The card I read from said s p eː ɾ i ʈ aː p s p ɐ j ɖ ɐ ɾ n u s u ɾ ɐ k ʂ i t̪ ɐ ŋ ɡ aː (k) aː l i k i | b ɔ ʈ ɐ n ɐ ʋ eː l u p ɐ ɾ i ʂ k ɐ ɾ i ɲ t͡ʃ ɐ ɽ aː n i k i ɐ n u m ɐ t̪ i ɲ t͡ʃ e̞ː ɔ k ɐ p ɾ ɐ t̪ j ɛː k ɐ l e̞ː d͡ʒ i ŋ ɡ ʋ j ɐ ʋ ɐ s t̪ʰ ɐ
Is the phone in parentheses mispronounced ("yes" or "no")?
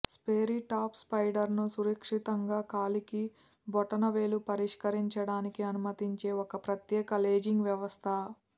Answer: no